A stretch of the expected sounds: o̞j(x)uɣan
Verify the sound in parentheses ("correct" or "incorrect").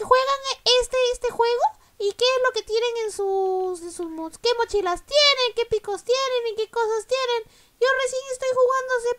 correct